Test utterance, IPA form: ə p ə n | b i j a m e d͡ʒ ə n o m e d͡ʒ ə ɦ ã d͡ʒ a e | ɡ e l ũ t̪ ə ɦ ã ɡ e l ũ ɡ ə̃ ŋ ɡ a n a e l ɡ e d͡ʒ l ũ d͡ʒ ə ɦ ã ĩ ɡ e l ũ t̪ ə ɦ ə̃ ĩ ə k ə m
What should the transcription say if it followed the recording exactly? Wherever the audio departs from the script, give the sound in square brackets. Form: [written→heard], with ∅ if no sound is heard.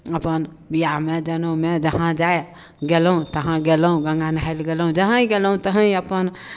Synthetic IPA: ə p ə n | b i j a m e d͡ʒ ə n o m e d͡ʒ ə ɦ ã d͡ʒ a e | ɡ e l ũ t̪ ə ɦ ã ɡ e l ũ ɡ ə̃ ŋ ɡ a n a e l ɡ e [d͡ʒ→∅] l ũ d͡ʒ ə ɦ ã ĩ ɡ e l ũ t̪ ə ɦ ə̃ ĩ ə [k→p] ə [m→n]